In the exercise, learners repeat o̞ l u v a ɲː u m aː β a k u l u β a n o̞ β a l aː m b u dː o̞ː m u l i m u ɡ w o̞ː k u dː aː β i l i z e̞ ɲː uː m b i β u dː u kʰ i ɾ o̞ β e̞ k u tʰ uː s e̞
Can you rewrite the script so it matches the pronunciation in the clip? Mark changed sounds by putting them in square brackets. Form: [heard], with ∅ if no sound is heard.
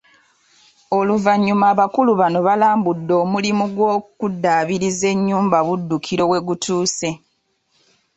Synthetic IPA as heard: o̞ l u v a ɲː u m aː β a k u l u β a n o̞ β a l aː m b u dː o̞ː m u l i m u ɡ w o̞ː k u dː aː β i [ɾ] i z e̞ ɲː uː m b [a] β u dː u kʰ i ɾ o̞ [w] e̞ [ɡ] u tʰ uː s e̞